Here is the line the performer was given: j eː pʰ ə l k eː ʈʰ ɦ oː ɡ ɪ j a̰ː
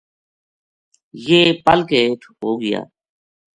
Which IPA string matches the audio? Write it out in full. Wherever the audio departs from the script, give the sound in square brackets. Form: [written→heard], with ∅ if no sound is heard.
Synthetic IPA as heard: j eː [pʰ→p] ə l k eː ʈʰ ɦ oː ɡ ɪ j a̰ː